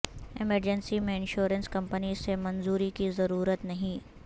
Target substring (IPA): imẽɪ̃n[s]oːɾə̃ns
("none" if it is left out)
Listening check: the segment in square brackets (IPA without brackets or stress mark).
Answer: ʃ